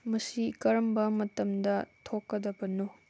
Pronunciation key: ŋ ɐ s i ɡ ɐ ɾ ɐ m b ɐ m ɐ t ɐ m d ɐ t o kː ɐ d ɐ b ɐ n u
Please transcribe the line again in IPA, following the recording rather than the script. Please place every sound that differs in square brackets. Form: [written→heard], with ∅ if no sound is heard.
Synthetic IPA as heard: [ŋ→m] ɐ s i [ɡ→k] ɐ ɾ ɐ m b ɐ m ɐ t ɐ m d ɐ [t→tʰ] o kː ɐ d ɐ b ɐ n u